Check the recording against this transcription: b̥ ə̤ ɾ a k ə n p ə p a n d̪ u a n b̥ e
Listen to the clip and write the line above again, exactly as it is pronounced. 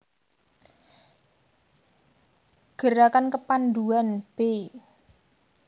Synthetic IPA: ɡ̥ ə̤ ɾ a k a n k ə p a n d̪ u a n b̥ e